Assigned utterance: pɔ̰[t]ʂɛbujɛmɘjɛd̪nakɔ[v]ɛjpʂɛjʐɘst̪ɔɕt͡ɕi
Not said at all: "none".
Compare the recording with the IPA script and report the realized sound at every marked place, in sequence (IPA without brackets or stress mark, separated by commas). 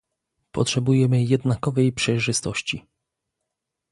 t, v